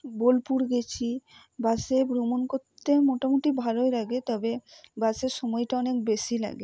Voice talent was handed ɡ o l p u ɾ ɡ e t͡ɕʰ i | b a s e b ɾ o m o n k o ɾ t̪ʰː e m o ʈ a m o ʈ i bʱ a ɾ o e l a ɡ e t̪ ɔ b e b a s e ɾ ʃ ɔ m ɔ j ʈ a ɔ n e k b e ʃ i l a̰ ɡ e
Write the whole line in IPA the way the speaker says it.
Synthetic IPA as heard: b o l p u ɾ ɡ e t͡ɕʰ i | b a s e b ɾ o m o n k o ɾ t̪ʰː e m o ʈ a m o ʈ i bʱ a l o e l a ɡ e t̪ ɔ b e b a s e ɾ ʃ ɔ m ɔ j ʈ a ɔ n e k b e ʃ i l a̰ ɡ e